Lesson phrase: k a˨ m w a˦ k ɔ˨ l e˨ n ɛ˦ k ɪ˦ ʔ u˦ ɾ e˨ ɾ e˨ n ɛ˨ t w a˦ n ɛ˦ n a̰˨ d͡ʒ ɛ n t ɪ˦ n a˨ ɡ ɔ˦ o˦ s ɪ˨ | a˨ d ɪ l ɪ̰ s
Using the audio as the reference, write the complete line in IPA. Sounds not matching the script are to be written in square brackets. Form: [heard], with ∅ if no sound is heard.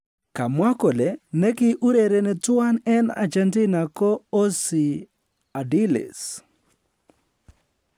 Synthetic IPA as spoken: k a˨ m w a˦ k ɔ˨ l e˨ n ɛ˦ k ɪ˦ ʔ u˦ ɾ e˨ ɾ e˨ n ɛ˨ t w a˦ n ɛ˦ n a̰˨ d͡ʒ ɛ n t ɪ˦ n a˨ [k] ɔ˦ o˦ s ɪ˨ | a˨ d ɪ l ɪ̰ s